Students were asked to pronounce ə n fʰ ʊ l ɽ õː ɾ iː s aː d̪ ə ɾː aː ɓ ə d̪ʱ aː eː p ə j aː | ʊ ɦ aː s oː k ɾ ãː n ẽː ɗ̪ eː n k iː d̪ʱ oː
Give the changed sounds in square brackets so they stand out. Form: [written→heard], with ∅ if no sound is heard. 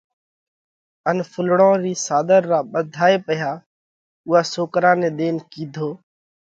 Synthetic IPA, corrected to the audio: ə n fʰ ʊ l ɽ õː ɾ iː s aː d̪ ə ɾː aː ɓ ə d̪ʱ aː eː p ə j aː | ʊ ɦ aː s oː k ɾ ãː n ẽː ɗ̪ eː n k iː d̪ʱ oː

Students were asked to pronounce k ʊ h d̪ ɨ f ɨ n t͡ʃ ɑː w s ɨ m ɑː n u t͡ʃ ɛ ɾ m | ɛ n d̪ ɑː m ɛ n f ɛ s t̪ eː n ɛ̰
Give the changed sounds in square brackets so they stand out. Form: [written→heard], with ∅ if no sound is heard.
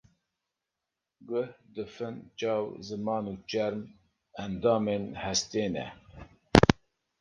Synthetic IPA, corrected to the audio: [k→ɡ] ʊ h d̪ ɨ f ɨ n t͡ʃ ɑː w [s→z] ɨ m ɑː n u t͡ʃ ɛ ɾ m | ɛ n d̪ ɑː m [ɛ→e] n [f→h] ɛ s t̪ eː n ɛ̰

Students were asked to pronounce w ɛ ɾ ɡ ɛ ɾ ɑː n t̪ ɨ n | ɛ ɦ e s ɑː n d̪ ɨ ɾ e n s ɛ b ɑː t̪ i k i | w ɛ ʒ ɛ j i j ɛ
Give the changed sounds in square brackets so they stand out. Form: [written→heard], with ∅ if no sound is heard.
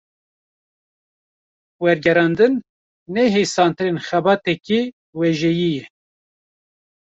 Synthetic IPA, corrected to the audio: w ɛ ɾ ɡ ɛ ɾ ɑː n [t̪→d̪] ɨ [n→nː] | ɛ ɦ e s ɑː n [d̪→t̪] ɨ ɾ e n [s→x] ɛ b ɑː t̪ [i→ɛ] k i | w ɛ ʒ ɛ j i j ɛ

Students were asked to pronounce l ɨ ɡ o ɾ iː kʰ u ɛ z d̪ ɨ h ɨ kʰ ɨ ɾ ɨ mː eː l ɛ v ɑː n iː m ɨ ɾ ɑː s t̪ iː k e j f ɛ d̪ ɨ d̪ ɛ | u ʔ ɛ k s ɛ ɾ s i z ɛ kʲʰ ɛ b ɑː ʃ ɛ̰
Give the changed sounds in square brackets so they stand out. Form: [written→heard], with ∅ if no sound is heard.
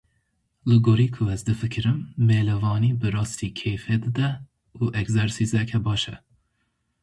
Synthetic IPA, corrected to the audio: l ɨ ɡ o ɾ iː kʰ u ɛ z d̪ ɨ [h→f] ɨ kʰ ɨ ɾ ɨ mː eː l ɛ v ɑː n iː [m→b] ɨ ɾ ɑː s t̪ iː [k→kʰ] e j f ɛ d̪ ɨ d̪ ɛ | u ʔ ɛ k [s→z] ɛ ɾ s i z ɛ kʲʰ ɛ b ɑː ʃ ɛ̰

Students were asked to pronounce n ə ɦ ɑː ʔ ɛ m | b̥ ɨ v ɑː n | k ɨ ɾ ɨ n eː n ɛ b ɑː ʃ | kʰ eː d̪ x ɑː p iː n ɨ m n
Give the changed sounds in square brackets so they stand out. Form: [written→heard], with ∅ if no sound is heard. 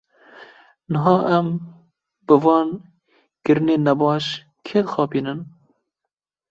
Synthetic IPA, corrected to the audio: n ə ɦ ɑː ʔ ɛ m | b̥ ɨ v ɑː n | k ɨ ɾ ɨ n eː n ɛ b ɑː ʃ | kʰ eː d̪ x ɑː p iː n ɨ [m→∅] n

